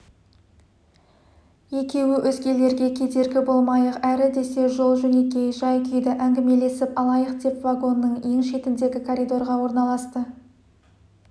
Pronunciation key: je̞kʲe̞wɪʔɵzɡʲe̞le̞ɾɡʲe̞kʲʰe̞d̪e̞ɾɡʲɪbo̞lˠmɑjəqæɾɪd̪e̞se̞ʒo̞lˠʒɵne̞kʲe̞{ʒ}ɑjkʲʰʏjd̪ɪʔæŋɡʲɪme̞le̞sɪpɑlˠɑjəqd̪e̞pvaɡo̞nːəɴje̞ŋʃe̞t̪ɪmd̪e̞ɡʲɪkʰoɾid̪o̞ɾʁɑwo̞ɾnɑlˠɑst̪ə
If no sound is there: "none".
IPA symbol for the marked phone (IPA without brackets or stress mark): ʒ